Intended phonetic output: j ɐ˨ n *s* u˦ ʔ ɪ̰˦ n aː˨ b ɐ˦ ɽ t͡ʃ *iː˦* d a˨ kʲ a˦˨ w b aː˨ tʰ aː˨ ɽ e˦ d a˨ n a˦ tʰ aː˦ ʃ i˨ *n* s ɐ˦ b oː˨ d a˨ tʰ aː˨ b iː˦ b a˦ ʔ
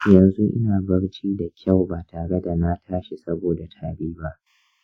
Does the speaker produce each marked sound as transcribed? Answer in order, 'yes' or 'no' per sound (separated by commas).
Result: no, yes, no